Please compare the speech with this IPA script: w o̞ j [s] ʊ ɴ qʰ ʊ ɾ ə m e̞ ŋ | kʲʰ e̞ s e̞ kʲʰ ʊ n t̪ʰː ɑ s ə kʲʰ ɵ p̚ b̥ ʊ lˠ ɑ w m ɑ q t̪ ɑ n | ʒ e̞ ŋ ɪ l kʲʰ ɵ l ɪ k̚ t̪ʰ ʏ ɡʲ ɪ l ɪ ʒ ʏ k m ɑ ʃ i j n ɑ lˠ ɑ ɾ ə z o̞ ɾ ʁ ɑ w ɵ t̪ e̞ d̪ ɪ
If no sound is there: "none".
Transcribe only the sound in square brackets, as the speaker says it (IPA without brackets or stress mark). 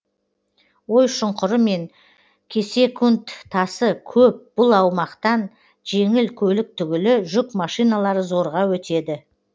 ʃ